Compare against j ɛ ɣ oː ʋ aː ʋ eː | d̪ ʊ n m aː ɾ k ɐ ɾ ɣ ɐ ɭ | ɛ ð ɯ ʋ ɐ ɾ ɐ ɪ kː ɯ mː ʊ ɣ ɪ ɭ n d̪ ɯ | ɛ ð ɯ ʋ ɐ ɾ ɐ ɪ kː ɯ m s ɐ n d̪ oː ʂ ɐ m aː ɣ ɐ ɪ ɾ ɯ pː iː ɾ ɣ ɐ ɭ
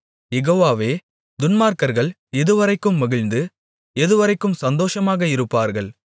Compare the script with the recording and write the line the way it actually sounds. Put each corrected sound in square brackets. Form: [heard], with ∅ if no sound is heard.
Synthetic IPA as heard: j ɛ ɣ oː ʋ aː ʋ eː | d̪ ʊ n m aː ɾ k ɐ ɾ ɣ ɐ ɭ | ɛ ð ɯ ʋ ɐ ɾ ɐ ɪ kː ɯ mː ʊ ɣ ɪ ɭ n d̪ ɯ | ɛ ð ɯ ʋ ɐ ɾ ɐ ɪ kː ɯ m s ɐ n d̪ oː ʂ ɐ m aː ɣ ɐ ɪ ɾ ɯ pː [aː] ɾ ɣ ɐ ɭ